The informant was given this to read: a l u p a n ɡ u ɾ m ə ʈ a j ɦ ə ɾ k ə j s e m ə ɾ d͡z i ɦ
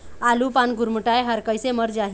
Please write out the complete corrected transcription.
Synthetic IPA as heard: a l u p a n ɡ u ɾ m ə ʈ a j ɦ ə ɾ k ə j s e m ə ɾ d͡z a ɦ